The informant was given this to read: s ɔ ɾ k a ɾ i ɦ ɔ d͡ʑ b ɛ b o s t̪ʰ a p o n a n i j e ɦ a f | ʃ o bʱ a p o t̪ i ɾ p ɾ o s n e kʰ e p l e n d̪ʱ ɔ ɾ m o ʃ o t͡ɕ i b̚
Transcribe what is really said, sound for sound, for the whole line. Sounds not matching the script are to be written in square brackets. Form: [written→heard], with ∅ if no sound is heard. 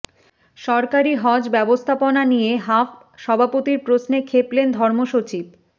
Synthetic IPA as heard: [s→ʃ] ɔ ɾ k a ɾ i ɦ ɔ d͡ʑ b ɛ b o s t̪ʰ a p o n a n i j e ɦ a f | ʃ [o→ɔ] bʱ a p o t̪ i ɾ p ɾ o s n e kʰ e p l e n d̪ʱ ɔ ɾ m o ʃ o t͡ɕ i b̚